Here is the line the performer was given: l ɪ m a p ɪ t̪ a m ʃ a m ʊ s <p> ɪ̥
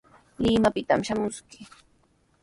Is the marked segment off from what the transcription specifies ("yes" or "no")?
yes